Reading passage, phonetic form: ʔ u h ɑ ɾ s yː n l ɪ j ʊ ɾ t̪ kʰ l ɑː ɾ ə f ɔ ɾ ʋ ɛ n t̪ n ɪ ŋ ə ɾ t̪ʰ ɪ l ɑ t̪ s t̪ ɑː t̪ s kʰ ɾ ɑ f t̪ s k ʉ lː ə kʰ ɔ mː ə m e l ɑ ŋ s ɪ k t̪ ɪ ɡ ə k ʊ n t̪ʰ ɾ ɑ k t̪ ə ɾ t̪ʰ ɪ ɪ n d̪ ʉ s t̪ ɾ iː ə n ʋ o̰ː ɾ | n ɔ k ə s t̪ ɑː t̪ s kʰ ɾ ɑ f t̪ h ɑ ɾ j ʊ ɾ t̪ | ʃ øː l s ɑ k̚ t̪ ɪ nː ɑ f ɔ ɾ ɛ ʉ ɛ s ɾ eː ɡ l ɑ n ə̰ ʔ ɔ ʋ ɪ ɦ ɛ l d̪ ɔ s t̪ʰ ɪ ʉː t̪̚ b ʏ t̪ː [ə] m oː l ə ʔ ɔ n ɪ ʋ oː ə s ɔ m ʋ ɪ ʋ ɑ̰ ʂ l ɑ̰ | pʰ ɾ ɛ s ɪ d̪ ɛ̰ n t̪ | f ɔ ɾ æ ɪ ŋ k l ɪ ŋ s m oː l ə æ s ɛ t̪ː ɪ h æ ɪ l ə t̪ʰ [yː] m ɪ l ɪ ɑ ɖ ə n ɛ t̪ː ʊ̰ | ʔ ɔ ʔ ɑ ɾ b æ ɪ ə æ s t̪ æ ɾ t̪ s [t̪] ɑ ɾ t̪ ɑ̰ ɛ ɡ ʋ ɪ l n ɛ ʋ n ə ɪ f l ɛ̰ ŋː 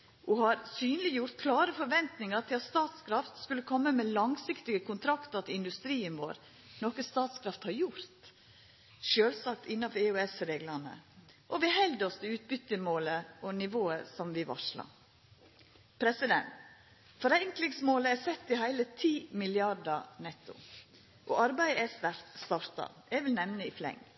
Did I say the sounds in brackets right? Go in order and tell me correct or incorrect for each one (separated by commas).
correct, incorrect, correct